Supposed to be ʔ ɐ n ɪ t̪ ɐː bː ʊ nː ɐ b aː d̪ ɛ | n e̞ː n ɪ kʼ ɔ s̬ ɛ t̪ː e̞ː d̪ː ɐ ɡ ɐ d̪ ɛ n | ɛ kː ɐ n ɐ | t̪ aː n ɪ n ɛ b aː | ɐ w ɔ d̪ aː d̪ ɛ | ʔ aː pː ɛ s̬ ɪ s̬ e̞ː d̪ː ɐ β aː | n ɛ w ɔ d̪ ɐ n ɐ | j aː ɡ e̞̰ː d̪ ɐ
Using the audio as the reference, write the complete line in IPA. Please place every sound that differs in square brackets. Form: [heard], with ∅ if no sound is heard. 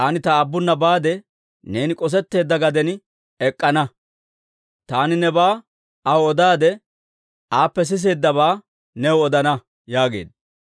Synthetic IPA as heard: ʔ ɐ n ɪ t̪ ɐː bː ʊ nː ɐ b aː d̪ ɛ | n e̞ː n ɪ kʼ ɔ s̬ ɛ t̪ː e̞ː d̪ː ɐ ɡ ɐ d̪ ɛ n | ɛ [kʼː] ɐ n ɐ | t̪ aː n ɪ n ɛ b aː | ɐ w ɔ d̪ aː d̪ ɛ | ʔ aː pː ɛ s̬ ɪ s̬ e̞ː d̪ː ɐ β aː | n ɛ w ɔ d̪ ɐ n ɐ | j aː ɡ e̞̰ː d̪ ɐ